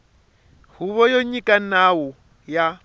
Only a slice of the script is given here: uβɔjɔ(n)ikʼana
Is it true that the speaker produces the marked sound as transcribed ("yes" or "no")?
no